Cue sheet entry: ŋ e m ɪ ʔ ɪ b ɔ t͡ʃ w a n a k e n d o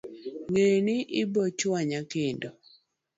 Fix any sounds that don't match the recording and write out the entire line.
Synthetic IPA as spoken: ŋ e n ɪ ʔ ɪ b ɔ t͡ʃ w a ɲ a k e n d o